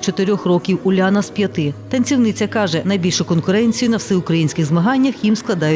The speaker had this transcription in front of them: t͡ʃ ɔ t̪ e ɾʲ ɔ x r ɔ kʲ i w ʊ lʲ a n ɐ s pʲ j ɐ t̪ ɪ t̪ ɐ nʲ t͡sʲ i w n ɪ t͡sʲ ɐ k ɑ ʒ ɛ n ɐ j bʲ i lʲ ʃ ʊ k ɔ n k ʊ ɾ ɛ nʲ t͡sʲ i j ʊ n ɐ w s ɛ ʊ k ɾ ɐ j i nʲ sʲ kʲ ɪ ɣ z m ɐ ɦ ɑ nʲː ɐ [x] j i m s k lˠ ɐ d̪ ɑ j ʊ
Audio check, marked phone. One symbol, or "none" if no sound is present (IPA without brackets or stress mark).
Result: x